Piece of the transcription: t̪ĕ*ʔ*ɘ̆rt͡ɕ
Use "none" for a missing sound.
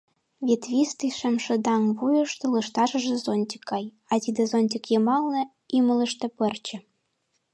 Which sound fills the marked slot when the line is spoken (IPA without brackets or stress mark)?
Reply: p